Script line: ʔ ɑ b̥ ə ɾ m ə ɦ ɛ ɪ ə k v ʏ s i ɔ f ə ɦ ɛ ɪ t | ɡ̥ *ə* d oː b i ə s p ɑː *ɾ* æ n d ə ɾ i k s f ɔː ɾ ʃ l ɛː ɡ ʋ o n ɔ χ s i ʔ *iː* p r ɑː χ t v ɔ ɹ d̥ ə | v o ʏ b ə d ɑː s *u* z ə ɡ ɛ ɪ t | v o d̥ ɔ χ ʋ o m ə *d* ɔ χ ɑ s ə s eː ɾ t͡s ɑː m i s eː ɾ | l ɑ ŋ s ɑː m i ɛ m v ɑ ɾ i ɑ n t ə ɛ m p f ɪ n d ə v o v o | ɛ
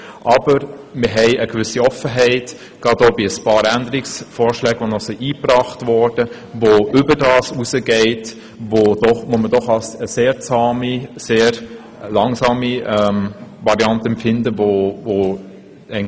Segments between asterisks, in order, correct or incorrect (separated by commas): incorrect, correct, correct, correct, correct